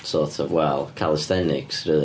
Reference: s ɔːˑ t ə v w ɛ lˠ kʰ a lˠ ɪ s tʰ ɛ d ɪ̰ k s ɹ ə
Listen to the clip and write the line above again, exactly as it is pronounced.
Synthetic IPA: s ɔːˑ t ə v w ɛ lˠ kʰ a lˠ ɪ s t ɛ n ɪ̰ k s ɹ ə

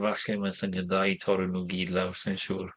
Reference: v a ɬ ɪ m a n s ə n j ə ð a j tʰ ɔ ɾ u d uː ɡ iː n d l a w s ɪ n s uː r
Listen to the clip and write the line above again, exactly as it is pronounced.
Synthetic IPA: v a ɬ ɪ m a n s ə n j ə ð a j tʰ ɔ ɾ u n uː ɡ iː d l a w s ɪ n ʃ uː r

